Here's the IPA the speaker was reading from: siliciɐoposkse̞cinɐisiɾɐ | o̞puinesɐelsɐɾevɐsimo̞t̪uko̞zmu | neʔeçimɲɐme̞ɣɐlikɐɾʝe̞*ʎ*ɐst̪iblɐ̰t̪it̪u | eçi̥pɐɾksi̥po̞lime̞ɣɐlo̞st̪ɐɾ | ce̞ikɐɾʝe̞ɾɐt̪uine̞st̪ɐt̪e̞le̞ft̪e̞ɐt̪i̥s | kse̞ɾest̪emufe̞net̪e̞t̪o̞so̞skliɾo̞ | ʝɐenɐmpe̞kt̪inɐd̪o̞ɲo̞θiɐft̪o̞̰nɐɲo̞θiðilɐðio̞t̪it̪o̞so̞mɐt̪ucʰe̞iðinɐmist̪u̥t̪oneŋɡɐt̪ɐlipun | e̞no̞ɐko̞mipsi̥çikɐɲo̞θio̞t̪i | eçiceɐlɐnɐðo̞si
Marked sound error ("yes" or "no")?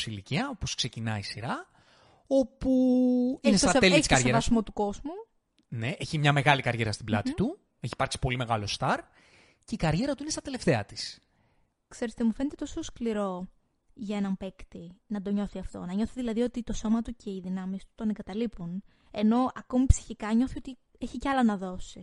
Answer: yes